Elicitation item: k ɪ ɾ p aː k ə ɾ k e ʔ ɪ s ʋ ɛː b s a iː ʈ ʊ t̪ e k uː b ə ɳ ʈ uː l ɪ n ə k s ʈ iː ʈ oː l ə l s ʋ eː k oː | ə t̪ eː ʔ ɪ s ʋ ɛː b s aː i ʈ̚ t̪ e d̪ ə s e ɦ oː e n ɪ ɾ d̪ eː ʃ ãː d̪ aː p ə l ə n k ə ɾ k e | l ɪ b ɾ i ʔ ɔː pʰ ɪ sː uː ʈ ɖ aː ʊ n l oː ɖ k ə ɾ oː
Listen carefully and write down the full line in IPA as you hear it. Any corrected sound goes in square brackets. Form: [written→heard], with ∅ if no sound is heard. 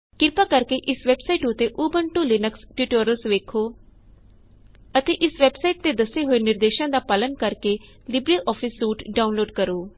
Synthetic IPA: k ɪ ɾ p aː k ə ɾ k e ʔ ɪ s ʋ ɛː b s a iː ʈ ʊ t̪ e [k→ʔ] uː b ə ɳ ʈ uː l ɪ n ə k s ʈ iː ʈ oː [l→ɾ] ə l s ʋ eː [k→kʰ] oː | ə t̪ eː ʔ ɪ s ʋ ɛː b s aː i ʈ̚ t̪ e d̪ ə s e ɦ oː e n ɪ ɾ d̪ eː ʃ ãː d̪ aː p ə l ə n k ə ɾ k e | l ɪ b ɾ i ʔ ɔː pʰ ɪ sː uː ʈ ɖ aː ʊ n l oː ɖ k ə ɾ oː